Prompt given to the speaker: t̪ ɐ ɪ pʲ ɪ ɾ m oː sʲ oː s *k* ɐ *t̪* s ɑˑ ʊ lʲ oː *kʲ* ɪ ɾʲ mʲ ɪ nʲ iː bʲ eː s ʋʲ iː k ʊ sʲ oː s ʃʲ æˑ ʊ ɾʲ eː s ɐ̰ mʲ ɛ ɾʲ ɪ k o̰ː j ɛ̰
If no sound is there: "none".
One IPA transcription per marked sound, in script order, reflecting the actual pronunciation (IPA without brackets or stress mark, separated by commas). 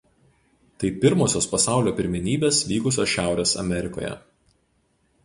p, none, pʲ